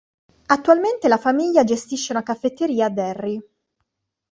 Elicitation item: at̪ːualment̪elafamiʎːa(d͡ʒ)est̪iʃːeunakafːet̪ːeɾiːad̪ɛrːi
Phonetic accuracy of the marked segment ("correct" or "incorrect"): correct